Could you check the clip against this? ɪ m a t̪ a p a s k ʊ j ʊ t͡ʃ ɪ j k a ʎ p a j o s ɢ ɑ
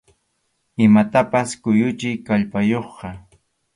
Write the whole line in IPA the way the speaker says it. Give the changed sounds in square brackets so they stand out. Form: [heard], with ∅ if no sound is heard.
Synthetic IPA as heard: ɪ m a t̪ a p a s k ʊ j ʊ t͡ʃ ɪ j k a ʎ p a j o [χ] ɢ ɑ